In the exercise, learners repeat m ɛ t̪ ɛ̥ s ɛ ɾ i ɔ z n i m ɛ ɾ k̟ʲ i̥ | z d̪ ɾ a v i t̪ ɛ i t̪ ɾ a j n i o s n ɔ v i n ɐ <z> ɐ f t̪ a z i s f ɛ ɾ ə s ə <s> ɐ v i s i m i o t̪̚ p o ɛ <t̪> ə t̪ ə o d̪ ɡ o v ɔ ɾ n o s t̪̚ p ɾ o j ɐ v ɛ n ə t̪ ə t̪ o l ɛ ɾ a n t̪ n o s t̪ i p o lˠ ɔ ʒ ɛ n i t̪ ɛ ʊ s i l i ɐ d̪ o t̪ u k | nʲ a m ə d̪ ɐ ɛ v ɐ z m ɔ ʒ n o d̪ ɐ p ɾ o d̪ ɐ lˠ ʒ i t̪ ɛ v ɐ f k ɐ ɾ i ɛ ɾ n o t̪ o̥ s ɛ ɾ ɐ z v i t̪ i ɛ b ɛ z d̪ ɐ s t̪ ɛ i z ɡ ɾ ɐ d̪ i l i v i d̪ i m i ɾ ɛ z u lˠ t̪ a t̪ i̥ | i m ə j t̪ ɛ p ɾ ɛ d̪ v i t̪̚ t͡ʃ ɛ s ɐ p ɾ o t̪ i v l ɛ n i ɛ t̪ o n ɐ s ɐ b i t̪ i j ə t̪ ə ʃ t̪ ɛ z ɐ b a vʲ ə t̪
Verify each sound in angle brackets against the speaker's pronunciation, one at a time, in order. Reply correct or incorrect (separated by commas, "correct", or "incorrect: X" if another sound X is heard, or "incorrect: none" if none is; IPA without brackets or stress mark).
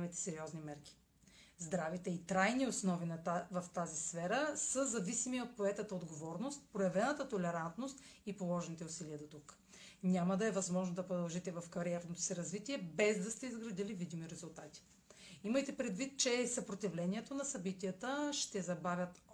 incorrect: v, incorrect: z, correct